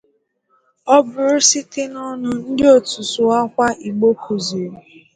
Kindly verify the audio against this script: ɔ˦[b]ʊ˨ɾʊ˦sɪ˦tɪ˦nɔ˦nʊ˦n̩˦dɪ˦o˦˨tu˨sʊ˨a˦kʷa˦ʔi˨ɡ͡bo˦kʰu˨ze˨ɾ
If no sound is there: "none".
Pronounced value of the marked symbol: b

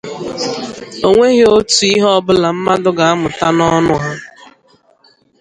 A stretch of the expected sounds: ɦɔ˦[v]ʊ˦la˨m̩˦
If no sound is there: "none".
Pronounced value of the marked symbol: b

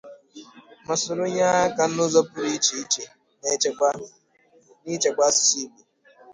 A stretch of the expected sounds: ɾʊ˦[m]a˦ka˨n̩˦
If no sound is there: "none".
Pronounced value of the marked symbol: ɲ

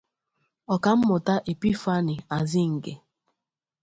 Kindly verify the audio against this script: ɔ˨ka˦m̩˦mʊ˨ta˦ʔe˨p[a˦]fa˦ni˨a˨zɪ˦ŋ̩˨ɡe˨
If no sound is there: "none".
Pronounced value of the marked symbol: i˦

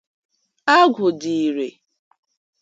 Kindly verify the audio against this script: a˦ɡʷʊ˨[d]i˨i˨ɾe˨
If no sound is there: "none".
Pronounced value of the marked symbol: d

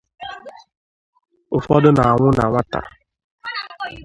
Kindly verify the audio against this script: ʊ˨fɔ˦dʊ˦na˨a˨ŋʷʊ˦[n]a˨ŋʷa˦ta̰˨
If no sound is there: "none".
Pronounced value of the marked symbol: n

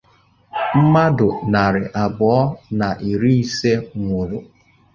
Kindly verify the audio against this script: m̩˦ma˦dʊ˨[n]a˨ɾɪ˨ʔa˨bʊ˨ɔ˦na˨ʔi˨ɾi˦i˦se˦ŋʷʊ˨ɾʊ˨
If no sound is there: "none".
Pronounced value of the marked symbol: n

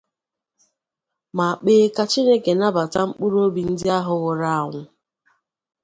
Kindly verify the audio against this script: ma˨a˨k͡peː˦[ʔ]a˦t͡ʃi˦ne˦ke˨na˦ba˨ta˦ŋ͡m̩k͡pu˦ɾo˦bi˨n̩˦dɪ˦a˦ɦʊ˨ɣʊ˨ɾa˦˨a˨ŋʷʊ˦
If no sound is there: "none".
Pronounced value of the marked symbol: k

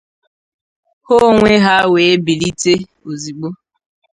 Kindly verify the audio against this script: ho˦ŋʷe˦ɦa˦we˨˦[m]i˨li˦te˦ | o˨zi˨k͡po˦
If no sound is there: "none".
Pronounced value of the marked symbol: b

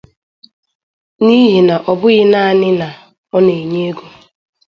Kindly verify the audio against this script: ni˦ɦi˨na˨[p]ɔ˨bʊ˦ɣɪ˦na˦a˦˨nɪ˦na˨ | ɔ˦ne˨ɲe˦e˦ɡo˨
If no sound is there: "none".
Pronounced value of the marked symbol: ʔ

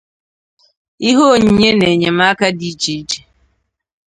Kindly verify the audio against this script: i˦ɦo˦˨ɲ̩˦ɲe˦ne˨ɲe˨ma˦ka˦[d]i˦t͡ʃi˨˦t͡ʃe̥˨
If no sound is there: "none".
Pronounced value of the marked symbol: d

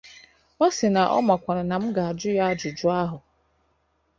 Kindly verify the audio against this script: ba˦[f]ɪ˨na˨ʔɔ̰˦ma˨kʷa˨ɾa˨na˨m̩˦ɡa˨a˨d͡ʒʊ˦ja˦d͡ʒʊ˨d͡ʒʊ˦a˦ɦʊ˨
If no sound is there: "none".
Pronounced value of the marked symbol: s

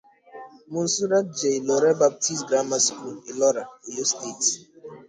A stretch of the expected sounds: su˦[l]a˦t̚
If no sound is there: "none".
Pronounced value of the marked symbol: ɾ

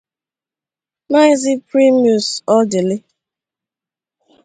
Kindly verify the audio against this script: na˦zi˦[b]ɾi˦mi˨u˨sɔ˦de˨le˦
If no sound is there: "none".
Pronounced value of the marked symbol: p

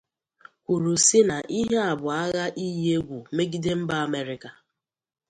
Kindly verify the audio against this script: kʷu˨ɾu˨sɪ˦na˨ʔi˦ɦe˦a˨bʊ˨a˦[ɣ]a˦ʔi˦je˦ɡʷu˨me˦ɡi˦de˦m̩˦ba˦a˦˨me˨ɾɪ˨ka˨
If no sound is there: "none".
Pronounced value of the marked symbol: ɣ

